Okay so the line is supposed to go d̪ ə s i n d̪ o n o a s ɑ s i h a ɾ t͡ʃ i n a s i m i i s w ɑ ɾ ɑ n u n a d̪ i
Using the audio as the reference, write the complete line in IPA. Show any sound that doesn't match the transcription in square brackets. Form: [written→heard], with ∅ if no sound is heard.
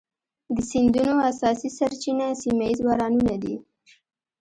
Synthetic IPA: d̪ ə s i n d̪ [o→u] n o a s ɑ s i [h→s] a ɾ t͡ʃ i n a s i m [i→a] i [s→z] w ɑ ɾ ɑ n u n a d̪ i